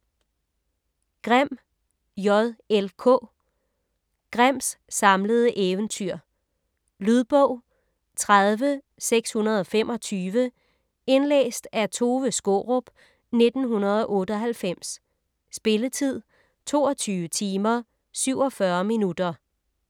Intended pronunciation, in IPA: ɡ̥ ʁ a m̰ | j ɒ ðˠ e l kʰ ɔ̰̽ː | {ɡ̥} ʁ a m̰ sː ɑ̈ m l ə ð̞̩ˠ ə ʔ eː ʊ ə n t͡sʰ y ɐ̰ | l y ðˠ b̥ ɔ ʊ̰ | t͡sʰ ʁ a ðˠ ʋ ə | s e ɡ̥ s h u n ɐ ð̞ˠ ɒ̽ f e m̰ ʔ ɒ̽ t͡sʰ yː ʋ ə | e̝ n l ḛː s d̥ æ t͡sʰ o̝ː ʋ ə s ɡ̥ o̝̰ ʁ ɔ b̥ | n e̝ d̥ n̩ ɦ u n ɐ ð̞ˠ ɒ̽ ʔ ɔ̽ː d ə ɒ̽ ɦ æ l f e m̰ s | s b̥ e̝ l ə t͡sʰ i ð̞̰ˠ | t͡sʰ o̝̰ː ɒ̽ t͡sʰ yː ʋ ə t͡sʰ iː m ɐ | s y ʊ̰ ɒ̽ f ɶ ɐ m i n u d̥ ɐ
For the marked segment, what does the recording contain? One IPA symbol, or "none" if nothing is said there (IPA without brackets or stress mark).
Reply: ɡ̥